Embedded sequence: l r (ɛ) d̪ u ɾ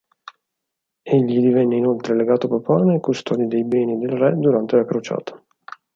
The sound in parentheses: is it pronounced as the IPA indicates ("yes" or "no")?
yes